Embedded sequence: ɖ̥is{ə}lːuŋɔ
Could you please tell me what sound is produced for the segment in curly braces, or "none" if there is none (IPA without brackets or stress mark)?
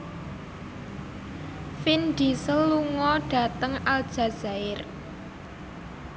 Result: ə